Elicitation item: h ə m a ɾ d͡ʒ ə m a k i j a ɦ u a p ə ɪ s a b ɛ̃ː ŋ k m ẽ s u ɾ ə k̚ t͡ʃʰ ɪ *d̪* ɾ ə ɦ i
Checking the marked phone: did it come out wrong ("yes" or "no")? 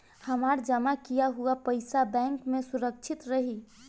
yes